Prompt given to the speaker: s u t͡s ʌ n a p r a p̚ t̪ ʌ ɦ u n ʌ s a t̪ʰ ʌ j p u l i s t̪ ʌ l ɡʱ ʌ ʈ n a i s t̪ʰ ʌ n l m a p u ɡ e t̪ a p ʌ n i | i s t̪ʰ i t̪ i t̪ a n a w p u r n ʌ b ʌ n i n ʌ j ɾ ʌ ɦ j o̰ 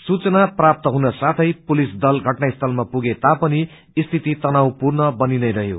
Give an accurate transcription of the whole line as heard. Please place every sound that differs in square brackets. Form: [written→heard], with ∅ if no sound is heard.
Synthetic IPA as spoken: s u t͡s ʌ n a p r a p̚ t̪ ʌ ɦ u n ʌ s a t̪ʰ ʌ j p u l i s [t̪→d̪] ʌ l ɡʱ ʌ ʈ n a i s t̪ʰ ʌ [n→∅] l m a p u ɡ e t̪ a p ʌ n i | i s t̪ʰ i t̪ i t̪ [a→ʌ] n a w p u r n ʌ b ʌ n i n ʌ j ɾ ʌ ɦ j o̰